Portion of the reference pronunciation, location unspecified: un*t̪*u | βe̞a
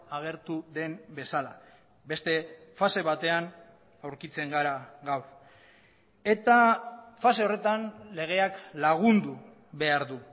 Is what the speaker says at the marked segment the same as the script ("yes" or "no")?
no